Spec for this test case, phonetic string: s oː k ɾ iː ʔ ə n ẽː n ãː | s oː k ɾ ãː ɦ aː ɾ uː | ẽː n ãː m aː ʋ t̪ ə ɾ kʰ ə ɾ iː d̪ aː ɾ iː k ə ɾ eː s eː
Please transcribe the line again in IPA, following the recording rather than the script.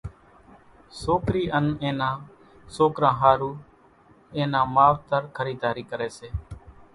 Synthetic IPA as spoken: s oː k ɾ iː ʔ ə n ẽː n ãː | s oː k ɾ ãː ɦ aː ɾ uː | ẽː n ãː m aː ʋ t̪ ə ɾ kʰ ə ɾ iː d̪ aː ɾ iː k ə ɾ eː s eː